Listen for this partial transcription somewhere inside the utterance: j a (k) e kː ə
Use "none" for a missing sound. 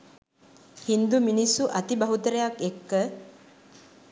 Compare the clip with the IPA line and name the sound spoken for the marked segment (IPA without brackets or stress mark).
k